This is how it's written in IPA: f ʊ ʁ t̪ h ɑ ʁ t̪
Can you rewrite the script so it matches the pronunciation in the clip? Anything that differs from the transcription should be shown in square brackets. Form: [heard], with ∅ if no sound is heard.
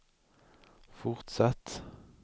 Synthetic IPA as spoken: f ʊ ʁ t̪ [s] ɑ [∅] t̪

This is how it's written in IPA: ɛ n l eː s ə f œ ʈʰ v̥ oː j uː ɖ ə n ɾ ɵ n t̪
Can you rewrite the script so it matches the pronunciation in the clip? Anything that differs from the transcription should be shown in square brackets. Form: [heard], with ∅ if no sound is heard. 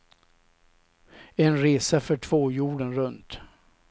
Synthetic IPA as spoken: ɛ n [ɾ] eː s [a] f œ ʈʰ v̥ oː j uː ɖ ə n ɾ ɵ n t̪

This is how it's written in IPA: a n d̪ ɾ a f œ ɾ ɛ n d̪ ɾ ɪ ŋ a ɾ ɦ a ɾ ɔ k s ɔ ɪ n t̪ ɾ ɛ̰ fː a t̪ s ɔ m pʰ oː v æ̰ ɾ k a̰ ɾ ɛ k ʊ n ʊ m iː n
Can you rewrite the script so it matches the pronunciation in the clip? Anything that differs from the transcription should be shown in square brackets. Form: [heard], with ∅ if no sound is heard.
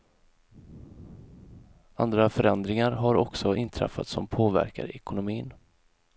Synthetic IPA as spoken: a n d̪ ɾ a f œ ɾ ɛ n d̪ ɾ ɪ ŋ a ɾ ɦ a ɾ ɔ k s ɔ ɪ n [t̪ʰ] ɾ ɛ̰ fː a t̪ s ɔ m pʰ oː v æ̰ ɾ k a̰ ɾ ɛ k ʊ n ʊ m iː n

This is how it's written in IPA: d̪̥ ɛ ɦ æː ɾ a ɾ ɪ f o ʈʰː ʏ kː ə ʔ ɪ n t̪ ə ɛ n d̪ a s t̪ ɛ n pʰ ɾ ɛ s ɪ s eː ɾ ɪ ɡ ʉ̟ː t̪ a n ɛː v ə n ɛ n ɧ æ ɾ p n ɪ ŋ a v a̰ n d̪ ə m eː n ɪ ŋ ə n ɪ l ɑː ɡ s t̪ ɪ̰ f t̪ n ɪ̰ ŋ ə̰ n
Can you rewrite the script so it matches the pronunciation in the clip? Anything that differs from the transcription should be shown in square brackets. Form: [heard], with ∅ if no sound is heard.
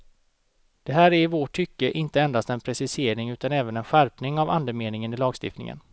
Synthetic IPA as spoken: d̪̥ ɛ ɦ æː ɾ [æ] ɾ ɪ [v] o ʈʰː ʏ kː ə ʔ ɪ n t̪ ə ɛ n d̪ a s t̪ ɛ n pʰ ɾ ɛ s ɪ s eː ɾ ɪ [ŋ] ʉ̟ː t̪ a n ɛː v ə n ɛ n ɧ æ ɾ p n ɪ ŋ a v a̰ n d̪ ə m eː n ɪ ŋ ə n ɪ l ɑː ɡ s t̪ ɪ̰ f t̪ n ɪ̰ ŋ ə̰ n

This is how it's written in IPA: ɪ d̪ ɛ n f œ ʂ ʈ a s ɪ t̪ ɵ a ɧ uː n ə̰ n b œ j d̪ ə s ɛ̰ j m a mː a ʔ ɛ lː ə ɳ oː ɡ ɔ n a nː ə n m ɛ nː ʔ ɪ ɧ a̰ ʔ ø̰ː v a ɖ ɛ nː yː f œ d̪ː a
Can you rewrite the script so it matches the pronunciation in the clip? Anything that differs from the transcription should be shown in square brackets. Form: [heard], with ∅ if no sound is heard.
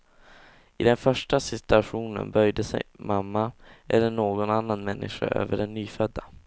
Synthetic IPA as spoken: ɪ d̪ ɛ n f œ ʂ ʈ a s ɪ t̪ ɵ a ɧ uː n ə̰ n b œ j d̪ ə s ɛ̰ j m a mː a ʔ ɛ lː ə ɳ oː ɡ ɔ n a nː [a] n m ɛ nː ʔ ɪ ɧ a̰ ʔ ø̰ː v [ə] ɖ ɛ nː yː f œ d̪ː a

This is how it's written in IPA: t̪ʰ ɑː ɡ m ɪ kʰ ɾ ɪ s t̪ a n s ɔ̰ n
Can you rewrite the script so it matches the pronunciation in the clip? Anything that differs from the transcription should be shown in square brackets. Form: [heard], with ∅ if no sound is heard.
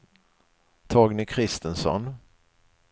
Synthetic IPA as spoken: t̪ʰ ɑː ɡ [n] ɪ kʰ ɾ ɪ s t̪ [ə] n s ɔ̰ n

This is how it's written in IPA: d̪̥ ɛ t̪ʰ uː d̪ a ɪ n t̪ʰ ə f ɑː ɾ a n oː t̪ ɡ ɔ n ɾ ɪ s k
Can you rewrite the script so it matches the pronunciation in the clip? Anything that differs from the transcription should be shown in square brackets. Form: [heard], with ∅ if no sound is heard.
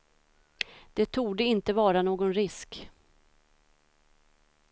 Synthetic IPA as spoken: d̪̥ ɛ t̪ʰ uː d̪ [ə] ɪ n [t̪] ə [v] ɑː ɾ a n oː [∅] ɡ ɔ n ɾ ɪ s k

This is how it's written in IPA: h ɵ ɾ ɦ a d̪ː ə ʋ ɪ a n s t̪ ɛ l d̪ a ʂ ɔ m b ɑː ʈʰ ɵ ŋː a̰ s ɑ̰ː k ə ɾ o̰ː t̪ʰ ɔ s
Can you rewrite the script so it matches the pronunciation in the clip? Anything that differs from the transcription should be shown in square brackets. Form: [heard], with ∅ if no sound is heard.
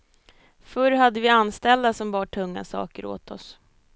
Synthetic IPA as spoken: [f] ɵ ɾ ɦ a d̪ː ə [v] ɪ a n s t̪ ɛ l d̪ a [s] ɔ m b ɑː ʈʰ ɵ ŋː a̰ s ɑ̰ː k ə ɾ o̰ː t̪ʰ ɔ s

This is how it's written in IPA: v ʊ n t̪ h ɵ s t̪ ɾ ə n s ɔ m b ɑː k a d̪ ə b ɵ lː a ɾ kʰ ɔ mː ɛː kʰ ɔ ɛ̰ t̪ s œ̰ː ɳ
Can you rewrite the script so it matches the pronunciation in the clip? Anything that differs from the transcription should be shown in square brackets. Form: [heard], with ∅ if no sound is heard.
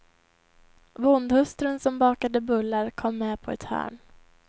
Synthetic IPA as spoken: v ʊ n [d̪] h ɵ s t̪ ɾ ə n s ɔ m b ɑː k a d̪ ə b ɵ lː a ɾ kʰ ɔ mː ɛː [pʰ] ɔ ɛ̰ t̪ [h] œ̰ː ɳ

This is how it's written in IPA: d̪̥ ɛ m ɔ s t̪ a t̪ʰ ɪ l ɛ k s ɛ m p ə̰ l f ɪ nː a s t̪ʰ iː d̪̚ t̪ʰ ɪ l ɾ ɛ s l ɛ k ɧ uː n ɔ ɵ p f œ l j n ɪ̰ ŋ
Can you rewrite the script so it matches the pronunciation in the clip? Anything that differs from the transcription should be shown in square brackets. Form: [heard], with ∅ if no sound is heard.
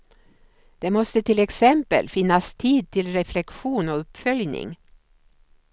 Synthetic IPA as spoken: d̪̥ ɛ m ɔ s t̪ [ə] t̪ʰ ɪ l ɛ k s ɛ m p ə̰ l f ɪ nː a s t̪ʰ iː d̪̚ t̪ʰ ɪ l ɾ ɛ [f] l ɛ k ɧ uː n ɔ ɵ p f œ l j n ɪ̰ ŋ

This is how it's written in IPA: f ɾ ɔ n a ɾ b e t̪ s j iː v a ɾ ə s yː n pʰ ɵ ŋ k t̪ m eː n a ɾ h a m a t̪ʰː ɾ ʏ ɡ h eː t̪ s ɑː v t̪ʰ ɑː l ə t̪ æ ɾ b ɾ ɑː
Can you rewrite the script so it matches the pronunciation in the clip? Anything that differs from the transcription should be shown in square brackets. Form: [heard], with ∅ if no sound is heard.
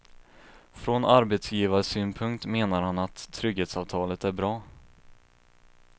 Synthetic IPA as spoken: f ɾ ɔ n a ɾ b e t̪ s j iː v a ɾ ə s yː n pʰ ɵ ŋ k t̪ m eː n a ɾ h a [n] a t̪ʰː ɾ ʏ ɡ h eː t̪ s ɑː v t̪ʰ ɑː l ə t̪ æ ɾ b ɾ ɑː

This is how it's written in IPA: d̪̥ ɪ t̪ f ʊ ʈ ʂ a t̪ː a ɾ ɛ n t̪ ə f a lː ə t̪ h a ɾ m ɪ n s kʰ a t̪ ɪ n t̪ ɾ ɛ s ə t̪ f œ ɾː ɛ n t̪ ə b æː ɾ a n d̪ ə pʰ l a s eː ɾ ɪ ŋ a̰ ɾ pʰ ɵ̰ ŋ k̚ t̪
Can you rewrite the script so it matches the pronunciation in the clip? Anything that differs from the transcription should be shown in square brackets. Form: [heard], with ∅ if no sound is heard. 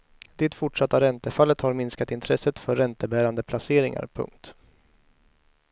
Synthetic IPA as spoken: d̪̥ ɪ t̪ f ʊ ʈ ʂ a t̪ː a ɾ ɛ n t̪ ə f a lː ə t̪ h a ɾ m ɪ n s [k] a t̪ ɪ n [t̪ʰ] ɾ ɛ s ə t̪ f œ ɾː ɛ n t̪ ə b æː ɾ a n d̪ ə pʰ l a s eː ɾ ɪ ŋ a̰ ɾ pʰ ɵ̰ ŋ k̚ t̪

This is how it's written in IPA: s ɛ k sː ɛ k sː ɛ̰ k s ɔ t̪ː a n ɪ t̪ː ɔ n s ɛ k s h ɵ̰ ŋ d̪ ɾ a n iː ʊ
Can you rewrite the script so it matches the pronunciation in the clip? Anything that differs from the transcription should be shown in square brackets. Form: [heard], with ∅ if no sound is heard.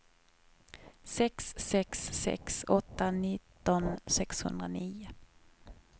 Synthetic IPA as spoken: s ɛ k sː ɛ k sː ɛ̰ k s ɔ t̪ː a n ɪ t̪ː ɔ n s ɛ k s h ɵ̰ [n] d̪ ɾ a n iː ʊ

